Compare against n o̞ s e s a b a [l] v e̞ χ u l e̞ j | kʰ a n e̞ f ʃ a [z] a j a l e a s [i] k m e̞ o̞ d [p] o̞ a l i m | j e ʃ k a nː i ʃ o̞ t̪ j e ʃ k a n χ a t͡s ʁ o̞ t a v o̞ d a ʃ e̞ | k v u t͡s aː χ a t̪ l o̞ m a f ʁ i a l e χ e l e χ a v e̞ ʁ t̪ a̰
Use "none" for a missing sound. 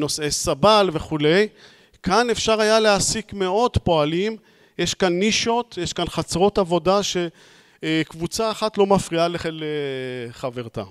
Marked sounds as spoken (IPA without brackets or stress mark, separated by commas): l, ʁ, i, p